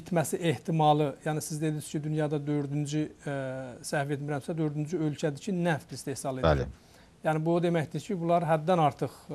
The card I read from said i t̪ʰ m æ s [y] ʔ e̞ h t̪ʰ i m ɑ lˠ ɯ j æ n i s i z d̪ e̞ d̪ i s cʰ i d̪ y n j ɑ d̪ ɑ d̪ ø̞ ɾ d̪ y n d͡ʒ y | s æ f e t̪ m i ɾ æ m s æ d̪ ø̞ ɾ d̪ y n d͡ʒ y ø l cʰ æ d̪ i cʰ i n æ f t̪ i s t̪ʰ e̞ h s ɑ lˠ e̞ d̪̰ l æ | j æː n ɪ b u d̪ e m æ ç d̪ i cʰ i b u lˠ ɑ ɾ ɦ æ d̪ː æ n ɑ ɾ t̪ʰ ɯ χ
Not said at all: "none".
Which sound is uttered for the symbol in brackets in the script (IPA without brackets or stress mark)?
i